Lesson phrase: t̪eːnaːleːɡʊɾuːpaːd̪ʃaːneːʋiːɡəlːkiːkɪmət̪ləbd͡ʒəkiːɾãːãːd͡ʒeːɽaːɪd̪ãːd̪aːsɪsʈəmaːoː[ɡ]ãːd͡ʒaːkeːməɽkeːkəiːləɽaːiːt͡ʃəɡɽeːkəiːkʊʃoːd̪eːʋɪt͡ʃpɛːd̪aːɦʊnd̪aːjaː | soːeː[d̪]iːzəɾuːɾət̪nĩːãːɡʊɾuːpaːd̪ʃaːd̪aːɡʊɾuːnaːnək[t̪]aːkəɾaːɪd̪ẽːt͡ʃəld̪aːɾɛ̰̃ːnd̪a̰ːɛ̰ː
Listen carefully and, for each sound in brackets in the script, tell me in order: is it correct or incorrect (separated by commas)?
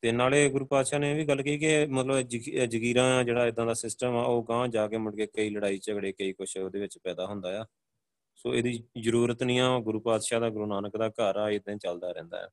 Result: correct, correct, incorrect